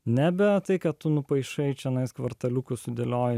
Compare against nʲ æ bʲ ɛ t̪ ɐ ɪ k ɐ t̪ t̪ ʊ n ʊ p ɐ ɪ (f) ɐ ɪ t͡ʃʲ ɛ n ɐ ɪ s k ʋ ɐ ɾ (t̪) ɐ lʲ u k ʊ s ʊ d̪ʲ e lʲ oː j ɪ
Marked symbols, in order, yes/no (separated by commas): no, yes